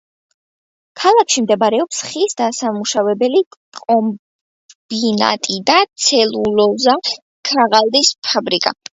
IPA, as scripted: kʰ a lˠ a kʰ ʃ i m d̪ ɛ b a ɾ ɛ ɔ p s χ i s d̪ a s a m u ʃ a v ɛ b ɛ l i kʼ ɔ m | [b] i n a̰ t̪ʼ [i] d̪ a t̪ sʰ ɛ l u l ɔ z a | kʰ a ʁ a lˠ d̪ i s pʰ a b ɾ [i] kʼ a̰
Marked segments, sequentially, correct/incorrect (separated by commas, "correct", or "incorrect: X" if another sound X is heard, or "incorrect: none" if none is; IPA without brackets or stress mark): correct, correct, correct